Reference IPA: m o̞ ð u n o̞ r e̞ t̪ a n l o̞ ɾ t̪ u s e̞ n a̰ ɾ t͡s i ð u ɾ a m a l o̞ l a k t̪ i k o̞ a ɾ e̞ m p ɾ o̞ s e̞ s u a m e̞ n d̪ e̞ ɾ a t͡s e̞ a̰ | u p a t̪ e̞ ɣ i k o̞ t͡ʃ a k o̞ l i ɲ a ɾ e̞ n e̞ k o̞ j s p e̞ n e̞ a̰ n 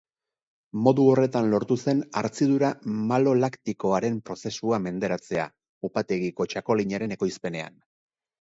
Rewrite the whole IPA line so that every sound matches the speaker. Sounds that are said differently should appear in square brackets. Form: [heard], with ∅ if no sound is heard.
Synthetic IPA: m o̞ ð u [∅] o̞ r e̞ t̪ a n l o̞ ɾ t̪ u s e̞ n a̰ ɾ t͡s i ð u ɾ a m a l o̞ l a k t̪ i k o̞ a ɾ e̞ m p ɾ o̞ s e̞ s u a m e̞ n d̪ e̞ ɾ a t͡s e̞ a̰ | u p a t̪ e̞ ɣ i k o̞ t͡ʃ a k o̞ l i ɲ a ɾ e̞ n e̞ k o̞ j s p e̞ n e̞ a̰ n